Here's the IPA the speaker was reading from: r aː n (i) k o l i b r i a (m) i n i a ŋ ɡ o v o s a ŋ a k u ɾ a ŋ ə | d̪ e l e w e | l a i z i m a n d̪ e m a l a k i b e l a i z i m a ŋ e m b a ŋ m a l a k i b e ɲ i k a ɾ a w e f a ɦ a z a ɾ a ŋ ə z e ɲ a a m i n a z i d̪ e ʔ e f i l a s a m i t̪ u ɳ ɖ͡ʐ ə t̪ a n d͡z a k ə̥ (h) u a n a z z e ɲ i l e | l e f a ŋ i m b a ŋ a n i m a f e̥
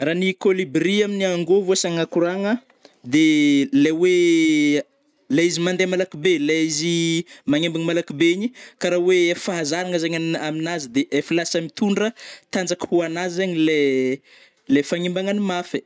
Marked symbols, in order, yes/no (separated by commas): yes, yes, yes